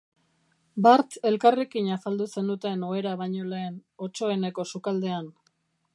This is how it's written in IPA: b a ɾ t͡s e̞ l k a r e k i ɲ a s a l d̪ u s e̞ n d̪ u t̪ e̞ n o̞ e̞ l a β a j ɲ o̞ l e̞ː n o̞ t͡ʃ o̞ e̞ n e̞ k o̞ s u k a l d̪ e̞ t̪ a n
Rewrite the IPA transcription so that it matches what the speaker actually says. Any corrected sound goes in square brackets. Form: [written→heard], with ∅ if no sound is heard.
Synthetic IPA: b a ɾ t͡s e̞ l k a r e k i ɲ a s a l d̪ u s e̞ n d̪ u t̪ e̞ n o̞ e̞ [l→ɾ] a β a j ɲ o̞ l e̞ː n o̞ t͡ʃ o̞ e̞ n e̞ k o̞ s u k a l d̪ e̞ [t̪→∅] a n